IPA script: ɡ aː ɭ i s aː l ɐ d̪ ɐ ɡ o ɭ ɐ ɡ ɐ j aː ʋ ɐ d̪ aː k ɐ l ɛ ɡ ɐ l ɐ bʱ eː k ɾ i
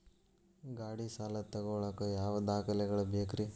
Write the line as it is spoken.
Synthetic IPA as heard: ɡ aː ɽ i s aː l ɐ t̪ ɐ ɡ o ɭ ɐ k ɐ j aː ʋ ɐ d̪ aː k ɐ l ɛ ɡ ɐ ɭ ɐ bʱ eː k ɾ i

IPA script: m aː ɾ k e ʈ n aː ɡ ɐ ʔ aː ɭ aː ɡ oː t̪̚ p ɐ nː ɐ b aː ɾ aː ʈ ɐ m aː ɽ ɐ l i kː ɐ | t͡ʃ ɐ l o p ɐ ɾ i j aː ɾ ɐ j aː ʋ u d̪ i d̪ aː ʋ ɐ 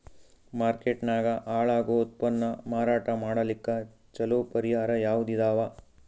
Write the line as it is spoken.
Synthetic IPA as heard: m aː ɾ k e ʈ n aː ɡ ɐ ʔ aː ɭ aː ɡ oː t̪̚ p ɐ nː ɐ m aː ɾ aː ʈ ɐ m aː ɽ ɐ l i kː ɐ | t͡ʃ ɐ l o p ɐ ɾ i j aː ɾ ɐ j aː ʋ u d̪ i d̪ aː ʋ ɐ

